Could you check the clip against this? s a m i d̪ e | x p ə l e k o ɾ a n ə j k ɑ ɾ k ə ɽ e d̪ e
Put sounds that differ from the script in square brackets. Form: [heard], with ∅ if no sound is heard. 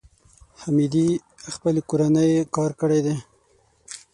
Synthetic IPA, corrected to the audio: [h] a m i d̪ [i] | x p ə l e k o ɾ a n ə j k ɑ ɾ k ə ɽ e d̪ e